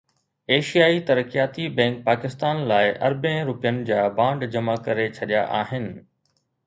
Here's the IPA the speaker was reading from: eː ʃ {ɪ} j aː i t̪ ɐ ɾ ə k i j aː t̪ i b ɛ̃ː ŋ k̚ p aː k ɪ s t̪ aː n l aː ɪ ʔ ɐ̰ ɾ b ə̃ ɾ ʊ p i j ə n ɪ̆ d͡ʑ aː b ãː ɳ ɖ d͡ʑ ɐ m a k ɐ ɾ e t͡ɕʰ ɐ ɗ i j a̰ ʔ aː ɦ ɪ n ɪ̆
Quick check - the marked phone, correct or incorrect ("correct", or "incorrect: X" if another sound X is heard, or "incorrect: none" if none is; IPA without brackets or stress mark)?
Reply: incorrect: i